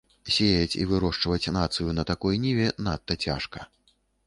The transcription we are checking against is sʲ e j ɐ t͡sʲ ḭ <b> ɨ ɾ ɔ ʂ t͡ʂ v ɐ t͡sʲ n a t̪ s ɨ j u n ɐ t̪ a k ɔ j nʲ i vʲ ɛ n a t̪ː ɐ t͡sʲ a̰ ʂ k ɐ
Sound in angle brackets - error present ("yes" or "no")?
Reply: yes